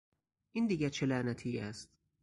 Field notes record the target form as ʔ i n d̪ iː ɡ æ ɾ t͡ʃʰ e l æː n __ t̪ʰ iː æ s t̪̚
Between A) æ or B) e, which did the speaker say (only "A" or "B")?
A